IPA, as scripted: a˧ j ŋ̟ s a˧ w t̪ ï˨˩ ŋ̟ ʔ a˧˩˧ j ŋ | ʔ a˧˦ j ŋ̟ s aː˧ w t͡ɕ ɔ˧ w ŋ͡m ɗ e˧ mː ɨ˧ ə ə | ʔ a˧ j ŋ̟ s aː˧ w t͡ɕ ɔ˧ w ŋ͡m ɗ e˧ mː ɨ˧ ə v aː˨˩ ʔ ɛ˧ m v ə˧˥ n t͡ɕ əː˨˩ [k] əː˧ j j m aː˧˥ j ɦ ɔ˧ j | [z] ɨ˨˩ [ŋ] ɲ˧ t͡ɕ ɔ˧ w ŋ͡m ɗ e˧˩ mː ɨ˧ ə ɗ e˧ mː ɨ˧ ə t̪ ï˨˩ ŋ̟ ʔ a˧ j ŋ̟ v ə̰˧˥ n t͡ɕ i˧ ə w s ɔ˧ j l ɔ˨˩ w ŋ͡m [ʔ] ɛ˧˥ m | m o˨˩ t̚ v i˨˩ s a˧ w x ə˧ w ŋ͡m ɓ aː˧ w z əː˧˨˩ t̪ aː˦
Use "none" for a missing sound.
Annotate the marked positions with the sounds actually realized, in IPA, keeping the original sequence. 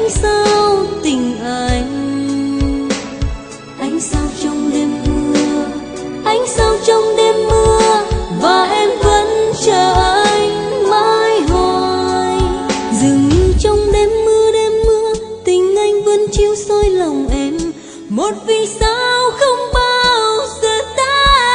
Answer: ʔ, z, ŋ, ʔ

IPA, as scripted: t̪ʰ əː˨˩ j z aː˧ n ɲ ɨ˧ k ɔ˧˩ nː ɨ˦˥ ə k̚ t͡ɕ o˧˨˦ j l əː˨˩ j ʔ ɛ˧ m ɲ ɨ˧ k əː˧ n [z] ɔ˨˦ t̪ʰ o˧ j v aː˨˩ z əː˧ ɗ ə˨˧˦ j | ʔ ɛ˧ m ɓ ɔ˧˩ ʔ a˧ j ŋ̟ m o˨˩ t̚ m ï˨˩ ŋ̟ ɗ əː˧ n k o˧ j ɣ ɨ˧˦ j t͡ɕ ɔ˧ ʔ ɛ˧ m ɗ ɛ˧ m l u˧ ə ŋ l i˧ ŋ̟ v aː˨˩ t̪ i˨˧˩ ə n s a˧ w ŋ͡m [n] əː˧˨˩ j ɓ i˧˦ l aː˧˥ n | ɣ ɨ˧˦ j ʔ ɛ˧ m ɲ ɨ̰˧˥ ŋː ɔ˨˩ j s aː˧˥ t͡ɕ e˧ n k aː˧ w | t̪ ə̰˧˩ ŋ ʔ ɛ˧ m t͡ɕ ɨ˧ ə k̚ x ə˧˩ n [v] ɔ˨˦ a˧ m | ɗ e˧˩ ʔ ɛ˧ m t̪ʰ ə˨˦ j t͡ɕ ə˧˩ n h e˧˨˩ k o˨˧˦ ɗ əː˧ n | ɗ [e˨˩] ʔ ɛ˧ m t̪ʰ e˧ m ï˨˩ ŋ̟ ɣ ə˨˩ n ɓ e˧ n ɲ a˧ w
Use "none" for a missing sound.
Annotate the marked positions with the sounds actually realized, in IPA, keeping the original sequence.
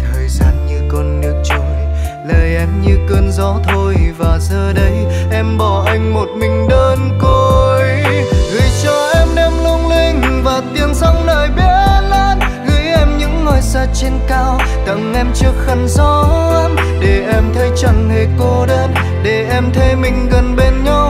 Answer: z, n, z, e˨˩

